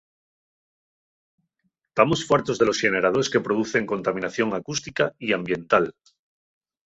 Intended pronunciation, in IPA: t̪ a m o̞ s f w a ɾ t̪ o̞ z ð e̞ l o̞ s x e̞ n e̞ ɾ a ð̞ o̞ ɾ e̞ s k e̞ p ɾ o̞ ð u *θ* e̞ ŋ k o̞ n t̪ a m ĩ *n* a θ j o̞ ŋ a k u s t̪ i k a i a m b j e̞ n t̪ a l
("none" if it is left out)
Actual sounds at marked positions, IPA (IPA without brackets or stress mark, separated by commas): θ, n